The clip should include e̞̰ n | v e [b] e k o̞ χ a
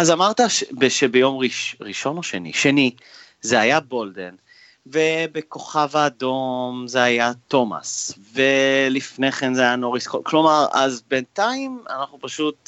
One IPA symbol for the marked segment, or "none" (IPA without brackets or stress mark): b